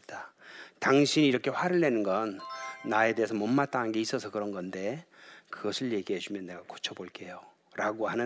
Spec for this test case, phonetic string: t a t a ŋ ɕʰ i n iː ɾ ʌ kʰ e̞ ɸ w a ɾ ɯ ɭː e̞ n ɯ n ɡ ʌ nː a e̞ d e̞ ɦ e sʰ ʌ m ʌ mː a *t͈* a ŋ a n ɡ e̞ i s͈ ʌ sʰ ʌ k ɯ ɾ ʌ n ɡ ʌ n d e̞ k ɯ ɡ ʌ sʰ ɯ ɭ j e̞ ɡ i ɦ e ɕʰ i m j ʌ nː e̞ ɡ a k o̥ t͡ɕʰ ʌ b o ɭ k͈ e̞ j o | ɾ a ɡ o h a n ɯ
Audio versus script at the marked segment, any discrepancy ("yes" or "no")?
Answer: no